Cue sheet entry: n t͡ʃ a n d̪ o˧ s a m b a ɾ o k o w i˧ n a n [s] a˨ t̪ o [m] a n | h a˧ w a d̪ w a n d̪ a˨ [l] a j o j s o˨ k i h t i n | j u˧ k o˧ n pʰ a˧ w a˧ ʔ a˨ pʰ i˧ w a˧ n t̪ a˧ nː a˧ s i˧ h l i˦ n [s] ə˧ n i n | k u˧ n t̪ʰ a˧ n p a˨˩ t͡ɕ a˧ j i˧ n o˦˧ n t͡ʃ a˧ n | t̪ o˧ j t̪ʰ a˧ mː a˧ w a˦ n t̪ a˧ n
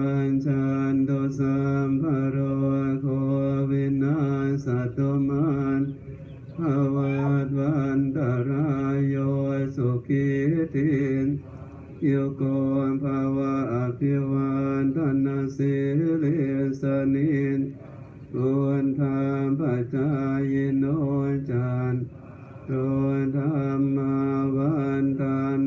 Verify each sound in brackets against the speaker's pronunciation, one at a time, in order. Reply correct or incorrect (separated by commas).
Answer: correct, correct, incorrect, correct